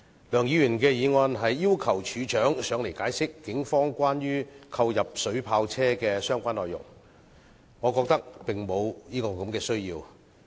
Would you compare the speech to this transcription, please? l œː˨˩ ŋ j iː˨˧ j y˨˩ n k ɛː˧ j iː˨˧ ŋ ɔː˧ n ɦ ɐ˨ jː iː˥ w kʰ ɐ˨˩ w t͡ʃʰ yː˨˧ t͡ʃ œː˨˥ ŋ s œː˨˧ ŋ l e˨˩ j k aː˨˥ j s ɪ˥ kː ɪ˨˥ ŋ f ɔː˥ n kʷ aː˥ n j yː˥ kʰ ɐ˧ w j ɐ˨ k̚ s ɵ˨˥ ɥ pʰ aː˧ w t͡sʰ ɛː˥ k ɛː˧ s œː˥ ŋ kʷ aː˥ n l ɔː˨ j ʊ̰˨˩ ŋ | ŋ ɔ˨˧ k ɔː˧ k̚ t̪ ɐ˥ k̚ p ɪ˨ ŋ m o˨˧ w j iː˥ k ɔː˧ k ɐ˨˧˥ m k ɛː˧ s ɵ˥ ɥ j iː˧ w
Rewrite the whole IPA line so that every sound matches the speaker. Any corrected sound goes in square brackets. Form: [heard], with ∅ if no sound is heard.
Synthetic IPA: l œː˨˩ ŋ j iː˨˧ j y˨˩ n k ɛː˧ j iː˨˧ ŋ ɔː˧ n ɦ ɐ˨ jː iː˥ w kʰ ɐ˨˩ w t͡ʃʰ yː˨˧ t͡ʃ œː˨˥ ŋ s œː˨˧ ŋ l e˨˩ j k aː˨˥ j s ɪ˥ kː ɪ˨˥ ŋ f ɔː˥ [ŋ] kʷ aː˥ n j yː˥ kʰ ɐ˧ w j ɐ˨ [p̚] s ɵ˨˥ ɥ pʰ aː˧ w t͡sʰ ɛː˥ k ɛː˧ s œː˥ ŋ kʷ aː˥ n l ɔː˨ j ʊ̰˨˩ ŋ | ŋ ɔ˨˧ k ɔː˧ k̚ t̪ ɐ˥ k̚ p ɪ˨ ŋ m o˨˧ w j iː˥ k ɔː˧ k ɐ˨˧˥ m k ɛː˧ s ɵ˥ ɥ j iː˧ w

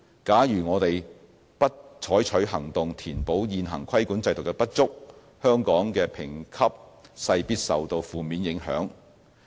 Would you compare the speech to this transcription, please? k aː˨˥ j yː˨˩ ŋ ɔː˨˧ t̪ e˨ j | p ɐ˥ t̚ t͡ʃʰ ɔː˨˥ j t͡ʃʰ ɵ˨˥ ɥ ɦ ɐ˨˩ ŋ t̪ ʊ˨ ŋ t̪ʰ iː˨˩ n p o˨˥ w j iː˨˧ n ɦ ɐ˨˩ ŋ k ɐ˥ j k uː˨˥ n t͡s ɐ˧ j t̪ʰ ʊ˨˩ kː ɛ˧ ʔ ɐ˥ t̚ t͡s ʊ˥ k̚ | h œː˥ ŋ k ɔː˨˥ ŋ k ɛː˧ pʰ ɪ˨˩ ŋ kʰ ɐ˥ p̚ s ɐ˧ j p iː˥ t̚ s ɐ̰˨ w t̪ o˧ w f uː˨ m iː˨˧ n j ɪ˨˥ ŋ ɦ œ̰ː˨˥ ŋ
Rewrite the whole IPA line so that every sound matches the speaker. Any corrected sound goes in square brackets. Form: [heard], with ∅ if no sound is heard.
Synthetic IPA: k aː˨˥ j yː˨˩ ŋ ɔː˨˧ t̪ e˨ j | p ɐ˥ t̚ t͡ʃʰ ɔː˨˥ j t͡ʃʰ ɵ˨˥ ɥ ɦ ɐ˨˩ ŋ t̪ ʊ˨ ŋ t̪ʰ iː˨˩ n p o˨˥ w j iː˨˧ n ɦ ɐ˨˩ ŋ [kʰ] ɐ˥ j k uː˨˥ n t͡s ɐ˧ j [t̪] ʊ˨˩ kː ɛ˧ [p] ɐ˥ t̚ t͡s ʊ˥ k̚ | h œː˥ ŋ k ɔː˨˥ ŋ k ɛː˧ pʰ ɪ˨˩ ŋ kʰ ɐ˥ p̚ s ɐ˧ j p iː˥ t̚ s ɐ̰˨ w t̪ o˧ w f uː˨ m iː˨˧ n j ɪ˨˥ ŋ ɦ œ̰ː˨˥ ŋ

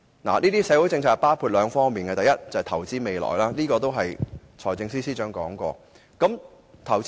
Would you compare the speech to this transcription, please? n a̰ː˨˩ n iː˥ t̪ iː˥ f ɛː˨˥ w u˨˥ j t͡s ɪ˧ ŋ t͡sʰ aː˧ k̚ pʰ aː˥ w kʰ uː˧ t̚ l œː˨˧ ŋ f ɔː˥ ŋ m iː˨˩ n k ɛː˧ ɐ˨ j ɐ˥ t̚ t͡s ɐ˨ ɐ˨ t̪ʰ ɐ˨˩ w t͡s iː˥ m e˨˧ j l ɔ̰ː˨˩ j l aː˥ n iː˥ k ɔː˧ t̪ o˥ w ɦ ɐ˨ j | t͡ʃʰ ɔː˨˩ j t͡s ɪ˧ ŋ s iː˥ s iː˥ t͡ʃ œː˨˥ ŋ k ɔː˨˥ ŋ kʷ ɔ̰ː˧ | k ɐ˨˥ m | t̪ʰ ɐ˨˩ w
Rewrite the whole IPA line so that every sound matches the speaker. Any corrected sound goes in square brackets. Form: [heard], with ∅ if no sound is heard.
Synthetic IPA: n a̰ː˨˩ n iː˥ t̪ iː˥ [s] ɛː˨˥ w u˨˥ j t͡s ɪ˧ ŋ t͡sʰ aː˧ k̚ [p] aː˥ w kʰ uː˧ t̚ l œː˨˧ ŋ f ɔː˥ ŋ m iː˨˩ n k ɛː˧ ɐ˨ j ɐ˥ t̚ t͡s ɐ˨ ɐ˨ t̪ʰ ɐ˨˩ w t͡s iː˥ m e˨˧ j l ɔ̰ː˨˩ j l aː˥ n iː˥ k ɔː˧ t̪ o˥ w ɦ ɐ˨ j | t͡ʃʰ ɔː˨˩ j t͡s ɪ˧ ŋ s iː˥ s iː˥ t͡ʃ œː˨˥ ŋ k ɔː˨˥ ŋ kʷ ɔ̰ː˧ | k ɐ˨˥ m | t̪ʰ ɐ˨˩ w

